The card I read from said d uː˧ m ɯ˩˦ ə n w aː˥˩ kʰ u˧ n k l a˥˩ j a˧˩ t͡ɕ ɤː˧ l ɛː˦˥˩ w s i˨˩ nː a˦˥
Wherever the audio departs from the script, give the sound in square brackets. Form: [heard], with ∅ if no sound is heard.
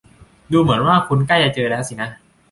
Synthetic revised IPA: d uː˧ m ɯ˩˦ ə n w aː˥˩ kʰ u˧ n k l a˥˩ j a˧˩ t͡ɕ ɤː˧ l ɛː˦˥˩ w s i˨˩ [n] a˦˥

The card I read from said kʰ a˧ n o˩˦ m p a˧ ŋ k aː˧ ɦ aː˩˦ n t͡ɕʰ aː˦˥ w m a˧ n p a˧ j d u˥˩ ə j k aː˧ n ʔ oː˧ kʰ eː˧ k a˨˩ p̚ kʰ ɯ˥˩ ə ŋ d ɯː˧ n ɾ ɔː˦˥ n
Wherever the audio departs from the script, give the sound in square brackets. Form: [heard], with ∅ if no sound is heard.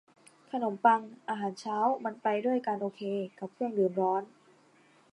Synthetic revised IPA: kʰ a˧ n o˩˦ m p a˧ ŋ [ʔ] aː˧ ɦ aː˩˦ n t͡ɕʰ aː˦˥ w m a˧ n p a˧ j d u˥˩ ə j k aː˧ n ʔ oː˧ kʰ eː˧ k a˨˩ p̚ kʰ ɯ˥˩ ə ŋ d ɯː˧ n ɾ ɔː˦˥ n

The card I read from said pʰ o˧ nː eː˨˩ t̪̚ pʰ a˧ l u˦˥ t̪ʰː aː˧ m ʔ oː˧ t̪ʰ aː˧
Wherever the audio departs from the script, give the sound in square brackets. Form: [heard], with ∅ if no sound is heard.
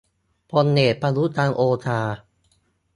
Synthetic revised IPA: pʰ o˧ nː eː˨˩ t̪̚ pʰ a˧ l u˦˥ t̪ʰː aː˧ [ŋ] ʔ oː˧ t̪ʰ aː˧

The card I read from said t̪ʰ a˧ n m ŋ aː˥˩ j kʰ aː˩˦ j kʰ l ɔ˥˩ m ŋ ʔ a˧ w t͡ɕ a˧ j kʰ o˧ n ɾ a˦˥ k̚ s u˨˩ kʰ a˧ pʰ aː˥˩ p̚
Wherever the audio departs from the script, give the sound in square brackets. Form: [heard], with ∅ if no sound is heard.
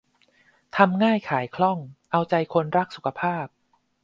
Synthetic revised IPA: t̪ʰ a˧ [∅] m ŋ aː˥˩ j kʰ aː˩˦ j kʰ l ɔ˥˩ [∅] ŋ ʔ a˧ w t͡ɕ a˧ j kʰ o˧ n ɾ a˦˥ k̚ s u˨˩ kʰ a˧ pʰ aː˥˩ p̚

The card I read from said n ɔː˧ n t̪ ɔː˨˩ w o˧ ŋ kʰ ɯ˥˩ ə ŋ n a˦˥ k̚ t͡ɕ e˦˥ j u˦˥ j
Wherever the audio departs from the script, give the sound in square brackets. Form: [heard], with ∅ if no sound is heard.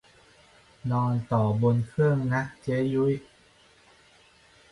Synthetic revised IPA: n ɔː˧ n t̪ ɔː˨˩ [b] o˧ [n] kʰ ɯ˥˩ ə ŋ n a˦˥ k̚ t͡ɕ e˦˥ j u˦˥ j

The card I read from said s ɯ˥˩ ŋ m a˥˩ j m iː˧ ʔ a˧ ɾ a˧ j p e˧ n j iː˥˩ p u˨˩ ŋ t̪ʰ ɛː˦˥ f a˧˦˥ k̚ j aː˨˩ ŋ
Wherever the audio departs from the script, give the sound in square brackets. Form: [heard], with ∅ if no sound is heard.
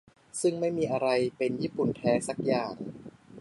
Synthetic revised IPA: s ɯ˥˩ ŋ m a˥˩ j m iː˧ ʔ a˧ ɾ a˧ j p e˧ n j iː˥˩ p u˨˩ [n] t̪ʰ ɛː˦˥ [s] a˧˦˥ k̚ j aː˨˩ ŋ

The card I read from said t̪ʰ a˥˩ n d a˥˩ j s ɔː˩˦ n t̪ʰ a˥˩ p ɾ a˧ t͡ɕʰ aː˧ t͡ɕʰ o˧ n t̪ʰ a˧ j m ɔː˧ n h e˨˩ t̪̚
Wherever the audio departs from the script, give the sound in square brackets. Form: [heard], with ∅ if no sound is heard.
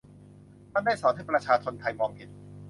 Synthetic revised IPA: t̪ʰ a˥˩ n d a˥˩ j s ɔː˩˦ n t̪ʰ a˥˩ p ɾ a˧ t͡ɕʰ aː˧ t͡ɕʰ o˧ n t̪ʰ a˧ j m ɔː˧ [ŋ] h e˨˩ t̪̚

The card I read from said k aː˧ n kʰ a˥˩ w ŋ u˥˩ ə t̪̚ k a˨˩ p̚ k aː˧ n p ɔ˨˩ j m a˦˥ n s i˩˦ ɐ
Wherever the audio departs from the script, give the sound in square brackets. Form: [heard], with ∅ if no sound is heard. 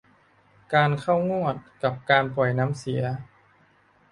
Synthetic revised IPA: k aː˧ n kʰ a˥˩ w ŋ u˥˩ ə t̪̚ k a˨˩ p̚ k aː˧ n p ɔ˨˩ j [n] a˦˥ [m] s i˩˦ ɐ

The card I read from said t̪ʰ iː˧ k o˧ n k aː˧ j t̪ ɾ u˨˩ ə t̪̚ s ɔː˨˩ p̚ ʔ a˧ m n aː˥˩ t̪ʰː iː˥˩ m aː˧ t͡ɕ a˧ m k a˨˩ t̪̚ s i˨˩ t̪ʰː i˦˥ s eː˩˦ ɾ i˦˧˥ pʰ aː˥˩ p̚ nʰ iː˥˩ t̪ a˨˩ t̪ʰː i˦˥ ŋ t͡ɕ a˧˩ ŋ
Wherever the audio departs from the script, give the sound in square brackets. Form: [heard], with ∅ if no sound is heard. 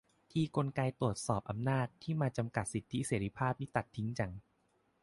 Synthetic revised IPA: t̪ʰ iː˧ k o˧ n k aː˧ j t̪ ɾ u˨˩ ə t̪̚ s ɔː˨˩ p̚ ʔ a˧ m n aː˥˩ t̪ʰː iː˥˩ m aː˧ t͡ɕ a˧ m k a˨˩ t̪̚ s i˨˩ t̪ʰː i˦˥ s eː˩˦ ɾ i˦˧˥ pʰ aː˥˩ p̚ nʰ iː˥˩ t̪ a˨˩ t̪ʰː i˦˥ ŋ t͡ɕ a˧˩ ŋ

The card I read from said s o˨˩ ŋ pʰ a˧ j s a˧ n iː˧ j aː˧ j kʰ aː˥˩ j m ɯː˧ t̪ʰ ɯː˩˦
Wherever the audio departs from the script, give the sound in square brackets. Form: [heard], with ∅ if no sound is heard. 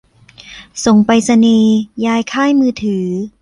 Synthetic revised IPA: s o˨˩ ŋ [p] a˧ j s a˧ n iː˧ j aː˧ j kʰ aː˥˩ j m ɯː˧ t̪ʰ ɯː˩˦

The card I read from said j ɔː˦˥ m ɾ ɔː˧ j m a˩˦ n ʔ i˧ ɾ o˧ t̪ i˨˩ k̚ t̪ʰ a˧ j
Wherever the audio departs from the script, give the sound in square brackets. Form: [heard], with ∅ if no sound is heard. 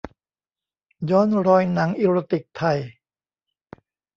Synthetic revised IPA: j ɔː˦˥ [n] ɾ ɔː˧ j [n] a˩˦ [ŋ] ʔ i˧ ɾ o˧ t̪ i˨˩ k̚ t̪ʰ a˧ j

